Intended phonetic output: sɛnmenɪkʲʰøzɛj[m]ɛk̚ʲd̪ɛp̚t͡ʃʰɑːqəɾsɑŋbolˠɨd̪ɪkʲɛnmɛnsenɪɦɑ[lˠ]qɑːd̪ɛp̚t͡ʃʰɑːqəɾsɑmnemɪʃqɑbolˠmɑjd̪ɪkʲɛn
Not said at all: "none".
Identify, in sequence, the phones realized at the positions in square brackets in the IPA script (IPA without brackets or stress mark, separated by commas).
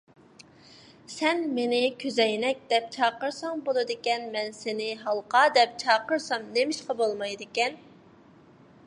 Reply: n, lˠ